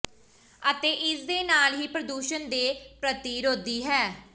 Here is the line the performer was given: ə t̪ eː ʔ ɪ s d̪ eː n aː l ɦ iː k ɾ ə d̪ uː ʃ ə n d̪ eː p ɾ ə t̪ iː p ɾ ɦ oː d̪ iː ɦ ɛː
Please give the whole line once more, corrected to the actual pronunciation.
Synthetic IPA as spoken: ə t̪ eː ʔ ɪ s d̪ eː n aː l ɦ iː p ɾ ə d̪ uː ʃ ə n d̪ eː p ɾ ə t̪ iː ɾ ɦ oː d̪ iː ɦ ɛː